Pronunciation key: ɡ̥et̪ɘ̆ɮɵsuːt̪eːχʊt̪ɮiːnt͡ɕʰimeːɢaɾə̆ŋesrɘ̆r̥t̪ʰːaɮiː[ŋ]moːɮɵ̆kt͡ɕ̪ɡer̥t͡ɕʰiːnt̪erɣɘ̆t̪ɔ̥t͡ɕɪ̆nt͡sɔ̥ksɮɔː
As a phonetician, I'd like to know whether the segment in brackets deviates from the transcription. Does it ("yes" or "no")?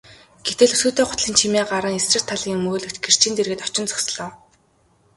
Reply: no